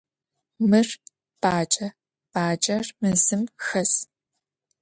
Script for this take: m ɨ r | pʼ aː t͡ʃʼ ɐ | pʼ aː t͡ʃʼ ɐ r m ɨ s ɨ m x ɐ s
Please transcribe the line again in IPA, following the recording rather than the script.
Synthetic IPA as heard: m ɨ r | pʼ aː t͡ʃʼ ɐ | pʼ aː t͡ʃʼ ɐ r m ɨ z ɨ m x ɐ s